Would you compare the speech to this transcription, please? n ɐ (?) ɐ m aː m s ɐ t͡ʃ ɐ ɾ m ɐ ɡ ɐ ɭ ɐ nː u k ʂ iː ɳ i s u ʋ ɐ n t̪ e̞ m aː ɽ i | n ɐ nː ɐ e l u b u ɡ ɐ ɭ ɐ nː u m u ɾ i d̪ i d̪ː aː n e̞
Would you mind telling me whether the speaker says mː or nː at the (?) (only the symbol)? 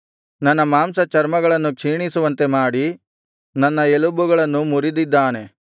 nː